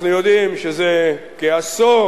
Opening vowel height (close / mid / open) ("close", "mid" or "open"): close